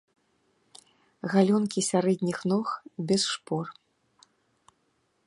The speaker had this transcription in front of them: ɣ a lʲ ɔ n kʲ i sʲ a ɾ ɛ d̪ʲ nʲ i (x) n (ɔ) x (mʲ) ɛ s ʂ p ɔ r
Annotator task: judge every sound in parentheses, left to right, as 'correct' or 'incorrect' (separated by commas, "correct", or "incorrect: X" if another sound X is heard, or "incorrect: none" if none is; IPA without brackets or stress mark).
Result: correct, correct, incorrect: bʲ